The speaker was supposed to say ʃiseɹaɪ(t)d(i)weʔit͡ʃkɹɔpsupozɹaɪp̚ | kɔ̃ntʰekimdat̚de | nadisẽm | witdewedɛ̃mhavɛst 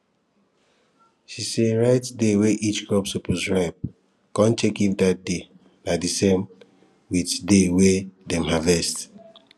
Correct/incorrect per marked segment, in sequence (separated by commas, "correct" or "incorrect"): correct, incorrect